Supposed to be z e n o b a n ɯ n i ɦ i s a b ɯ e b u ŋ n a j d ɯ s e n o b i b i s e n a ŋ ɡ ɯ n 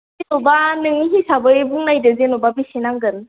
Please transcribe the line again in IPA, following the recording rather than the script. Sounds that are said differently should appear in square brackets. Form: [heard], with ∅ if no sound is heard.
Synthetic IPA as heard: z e n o b a n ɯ [ŋ] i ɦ i s a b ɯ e b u ŋ n a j d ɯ [z] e n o b [a] b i s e n a ŋ ɡ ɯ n